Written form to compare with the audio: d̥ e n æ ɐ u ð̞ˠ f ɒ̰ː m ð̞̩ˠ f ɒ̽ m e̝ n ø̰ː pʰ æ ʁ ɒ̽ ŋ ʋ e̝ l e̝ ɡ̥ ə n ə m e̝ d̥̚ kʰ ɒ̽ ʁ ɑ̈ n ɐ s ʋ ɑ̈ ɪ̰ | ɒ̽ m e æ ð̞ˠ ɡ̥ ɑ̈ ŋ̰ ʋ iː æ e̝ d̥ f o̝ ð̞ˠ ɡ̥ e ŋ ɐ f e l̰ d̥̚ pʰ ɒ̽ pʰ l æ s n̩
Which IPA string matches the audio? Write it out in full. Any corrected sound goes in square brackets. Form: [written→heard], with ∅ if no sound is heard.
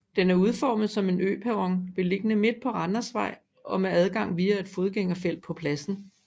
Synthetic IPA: d̥ e n æ ɐ u ð̞ˠ f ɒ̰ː m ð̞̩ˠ [f→s] ɒ̽ m e̝ n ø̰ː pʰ æ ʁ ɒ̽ ŋ ʋ e̝ l e̝ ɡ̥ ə n ə m e̝ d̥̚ [kʰ→pʰ] ɒ̽ ʁ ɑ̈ n ɐ s ʋ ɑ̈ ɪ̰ | ɒ̽ m e æ ð̞ˠ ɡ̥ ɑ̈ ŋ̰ ʋ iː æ e̝ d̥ f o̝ ð̞ˠ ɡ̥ e ŋ ɐ f e l̰ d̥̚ pʰ ɒ̽ pʰ l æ s n̩